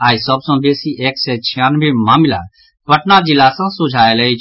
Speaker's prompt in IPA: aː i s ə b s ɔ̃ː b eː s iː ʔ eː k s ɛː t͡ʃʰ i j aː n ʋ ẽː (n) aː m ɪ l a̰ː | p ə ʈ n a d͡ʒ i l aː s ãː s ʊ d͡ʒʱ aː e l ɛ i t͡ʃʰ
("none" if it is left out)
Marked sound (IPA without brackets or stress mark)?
m